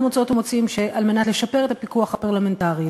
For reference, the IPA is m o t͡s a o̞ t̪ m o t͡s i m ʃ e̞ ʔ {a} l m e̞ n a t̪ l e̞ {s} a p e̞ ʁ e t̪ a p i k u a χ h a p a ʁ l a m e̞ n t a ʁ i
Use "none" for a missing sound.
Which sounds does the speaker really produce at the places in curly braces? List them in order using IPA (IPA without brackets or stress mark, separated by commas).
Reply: a, ʃ